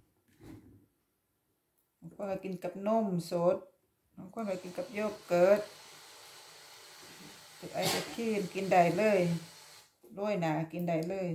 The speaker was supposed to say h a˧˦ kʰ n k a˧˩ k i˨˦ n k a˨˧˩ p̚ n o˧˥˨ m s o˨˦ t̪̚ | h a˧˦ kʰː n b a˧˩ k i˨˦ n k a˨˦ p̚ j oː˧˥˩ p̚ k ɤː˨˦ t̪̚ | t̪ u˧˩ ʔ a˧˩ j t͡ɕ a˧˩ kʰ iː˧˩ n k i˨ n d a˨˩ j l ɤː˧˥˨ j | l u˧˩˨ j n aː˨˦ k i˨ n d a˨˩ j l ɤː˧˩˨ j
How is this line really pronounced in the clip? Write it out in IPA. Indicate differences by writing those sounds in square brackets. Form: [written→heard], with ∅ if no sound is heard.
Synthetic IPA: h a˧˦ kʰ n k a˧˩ k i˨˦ n k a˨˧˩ p̚ n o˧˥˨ m s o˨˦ t̪̚ | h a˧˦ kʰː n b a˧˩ k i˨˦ n k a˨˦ p̚ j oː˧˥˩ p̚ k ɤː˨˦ t̪̚ | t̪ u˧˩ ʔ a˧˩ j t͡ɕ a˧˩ kʰ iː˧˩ n k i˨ n d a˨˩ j l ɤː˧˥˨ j | l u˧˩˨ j n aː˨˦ k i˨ n d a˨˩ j l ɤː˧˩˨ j